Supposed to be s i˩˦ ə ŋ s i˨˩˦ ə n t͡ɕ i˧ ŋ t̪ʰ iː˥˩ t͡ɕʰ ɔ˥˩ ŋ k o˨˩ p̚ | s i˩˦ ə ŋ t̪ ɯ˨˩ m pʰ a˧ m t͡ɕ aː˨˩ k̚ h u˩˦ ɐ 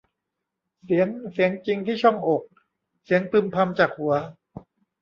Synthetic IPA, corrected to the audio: s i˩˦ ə ŋ s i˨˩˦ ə ŋ t͡ɕ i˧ ŋ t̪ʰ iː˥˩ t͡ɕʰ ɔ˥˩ ŋ ʔ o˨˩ k̚ | s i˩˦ ə ŋ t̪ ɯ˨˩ m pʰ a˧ m t͡ɕ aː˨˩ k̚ h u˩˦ ɐ